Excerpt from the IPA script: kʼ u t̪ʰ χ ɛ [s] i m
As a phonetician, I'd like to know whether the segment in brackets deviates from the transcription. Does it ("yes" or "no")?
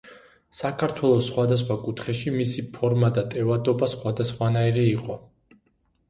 yes